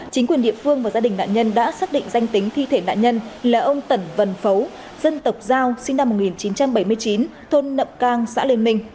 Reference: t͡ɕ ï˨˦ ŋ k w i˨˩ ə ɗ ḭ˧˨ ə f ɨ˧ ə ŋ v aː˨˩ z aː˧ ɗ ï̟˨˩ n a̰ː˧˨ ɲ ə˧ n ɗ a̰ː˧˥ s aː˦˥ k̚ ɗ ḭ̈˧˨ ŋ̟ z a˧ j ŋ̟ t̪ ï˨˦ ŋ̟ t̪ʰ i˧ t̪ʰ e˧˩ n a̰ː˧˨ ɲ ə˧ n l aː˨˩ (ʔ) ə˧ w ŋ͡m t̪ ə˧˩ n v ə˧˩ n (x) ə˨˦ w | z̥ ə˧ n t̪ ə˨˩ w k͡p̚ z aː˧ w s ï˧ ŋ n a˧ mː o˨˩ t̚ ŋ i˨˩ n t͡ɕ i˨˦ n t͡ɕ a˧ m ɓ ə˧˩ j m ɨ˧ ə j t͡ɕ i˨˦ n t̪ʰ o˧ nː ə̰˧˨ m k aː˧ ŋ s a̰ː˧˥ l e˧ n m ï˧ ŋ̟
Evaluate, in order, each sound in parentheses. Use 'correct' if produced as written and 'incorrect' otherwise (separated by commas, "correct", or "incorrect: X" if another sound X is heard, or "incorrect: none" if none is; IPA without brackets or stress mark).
correct, incorrect: f